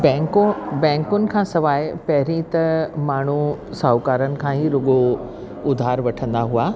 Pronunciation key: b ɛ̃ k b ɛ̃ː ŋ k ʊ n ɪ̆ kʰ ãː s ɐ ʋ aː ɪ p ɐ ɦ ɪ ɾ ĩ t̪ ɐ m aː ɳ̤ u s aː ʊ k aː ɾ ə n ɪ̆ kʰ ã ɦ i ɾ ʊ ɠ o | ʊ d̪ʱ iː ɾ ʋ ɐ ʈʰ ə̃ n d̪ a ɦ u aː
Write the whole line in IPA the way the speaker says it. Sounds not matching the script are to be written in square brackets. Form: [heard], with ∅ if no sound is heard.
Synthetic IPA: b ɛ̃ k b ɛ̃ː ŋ k ʊ n ɪ̆ kʰ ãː s ɐ ʋ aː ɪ p ɐ ɦ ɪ ɾ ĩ t̪ ɐ m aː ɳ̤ u s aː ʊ k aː ɾ ə n ɪ̆ kʰ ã ɦ i ɾ ʊ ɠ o | ʊ d̪ʱ [aː] ɾ ʋ ɐ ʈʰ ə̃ n d̪ a ɦ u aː

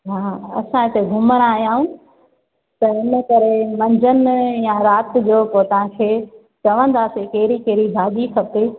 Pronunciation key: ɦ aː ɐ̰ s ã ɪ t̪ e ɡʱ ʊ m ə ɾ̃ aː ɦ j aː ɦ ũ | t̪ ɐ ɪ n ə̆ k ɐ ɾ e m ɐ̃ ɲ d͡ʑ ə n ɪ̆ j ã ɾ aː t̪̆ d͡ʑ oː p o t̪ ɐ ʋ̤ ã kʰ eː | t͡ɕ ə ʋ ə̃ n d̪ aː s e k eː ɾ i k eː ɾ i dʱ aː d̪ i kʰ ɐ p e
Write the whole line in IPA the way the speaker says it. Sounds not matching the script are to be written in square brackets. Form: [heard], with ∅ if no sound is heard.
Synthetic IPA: ɦ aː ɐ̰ s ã ɪ t̪ e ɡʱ ʊ m ə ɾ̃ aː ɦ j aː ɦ ũ | t̪ ɐ ɪ n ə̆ k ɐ ɾ e m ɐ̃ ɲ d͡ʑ ə n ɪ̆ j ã ɾ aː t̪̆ d͡ʑ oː p o t̪ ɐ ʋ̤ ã kʰ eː | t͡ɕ [ɐ] ʋ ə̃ n d̪ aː s e k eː ɾ i k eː ɾ i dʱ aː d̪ i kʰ ɐ p e

